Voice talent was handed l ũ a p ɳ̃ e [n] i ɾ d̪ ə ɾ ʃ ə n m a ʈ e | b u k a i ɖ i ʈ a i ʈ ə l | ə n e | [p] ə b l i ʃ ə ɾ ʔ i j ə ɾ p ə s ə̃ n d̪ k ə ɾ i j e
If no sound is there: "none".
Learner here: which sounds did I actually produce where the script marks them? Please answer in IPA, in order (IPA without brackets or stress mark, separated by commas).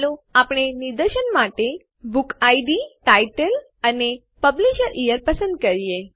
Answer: n, p